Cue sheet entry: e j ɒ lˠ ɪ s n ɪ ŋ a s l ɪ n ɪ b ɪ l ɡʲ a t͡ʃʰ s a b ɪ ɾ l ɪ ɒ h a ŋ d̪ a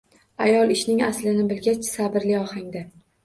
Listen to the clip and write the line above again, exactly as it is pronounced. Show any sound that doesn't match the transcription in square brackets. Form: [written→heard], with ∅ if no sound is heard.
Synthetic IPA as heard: [e→a] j ɒ lˠ ɪ [s→ʃ] n ɪ ŋ a s l ɪ n ɪ b ɪ l ɡʲ a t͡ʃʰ s a b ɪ ɾ l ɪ ɒ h a ŋ d̪ a